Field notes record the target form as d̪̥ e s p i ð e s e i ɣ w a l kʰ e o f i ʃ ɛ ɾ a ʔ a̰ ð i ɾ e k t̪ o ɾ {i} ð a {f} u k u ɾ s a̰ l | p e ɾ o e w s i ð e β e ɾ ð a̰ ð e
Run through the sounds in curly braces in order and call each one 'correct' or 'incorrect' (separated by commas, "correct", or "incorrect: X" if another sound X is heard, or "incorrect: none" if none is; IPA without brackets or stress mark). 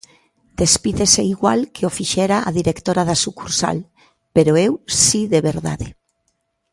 incorrect: a, incorrect: s